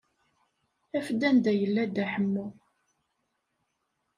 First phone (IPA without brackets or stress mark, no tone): æ